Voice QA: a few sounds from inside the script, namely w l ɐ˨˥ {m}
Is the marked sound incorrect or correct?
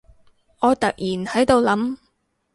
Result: correct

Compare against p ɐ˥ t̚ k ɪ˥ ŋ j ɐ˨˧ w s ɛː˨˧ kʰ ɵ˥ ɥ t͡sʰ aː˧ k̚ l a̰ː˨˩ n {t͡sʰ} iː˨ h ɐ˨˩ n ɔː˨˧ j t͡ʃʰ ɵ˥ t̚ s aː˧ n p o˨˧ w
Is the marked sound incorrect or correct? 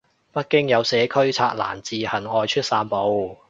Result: incorrect: t͡s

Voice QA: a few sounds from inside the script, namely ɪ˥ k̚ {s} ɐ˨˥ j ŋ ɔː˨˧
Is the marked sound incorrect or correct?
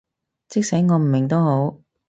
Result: correct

